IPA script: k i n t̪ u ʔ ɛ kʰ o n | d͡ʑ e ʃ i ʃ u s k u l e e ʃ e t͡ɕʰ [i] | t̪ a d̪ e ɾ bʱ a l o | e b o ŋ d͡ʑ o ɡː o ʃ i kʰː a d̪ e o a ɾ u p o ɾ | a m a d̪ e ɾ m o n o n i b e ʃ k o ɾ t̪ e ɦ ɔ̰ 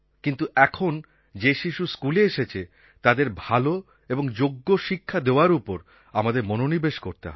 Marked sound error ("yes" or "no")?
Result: yes